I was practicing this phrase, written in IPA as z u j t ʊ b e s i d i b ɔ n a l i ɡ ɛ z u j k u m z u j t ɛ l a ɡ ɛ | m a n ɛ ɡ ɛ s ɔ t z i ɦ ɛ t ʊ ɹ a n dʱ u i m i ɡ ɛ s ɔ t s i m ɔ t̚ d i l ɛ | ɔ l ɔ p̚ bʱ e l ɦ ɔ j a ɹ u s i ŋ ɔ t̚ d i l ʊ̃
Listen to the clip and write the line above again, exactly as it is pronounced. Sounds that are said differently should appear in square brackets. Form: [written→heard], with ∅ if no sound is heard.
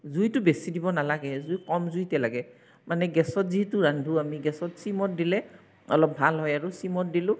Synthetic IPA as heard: z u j t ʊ b e s i d i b ɔ n a l [i→a] ɡ ɛ z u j k [u→ɔ] m z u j t ɛ l a ɡ ɛ | m a n ɛ ɡ ɛ s ɔ t z i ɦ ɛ t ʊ ɹ a n dʱ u [i→a] m i ɡ ɛ s ɔ t s i m ɔ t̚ d i l ɛ | ɔ l ɔ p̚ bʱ [e→a] l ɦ ɔ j a ɹ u s i [ŋ→m] ɔ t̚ d i l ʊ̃